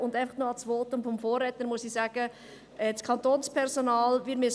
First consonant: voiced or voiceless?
voiced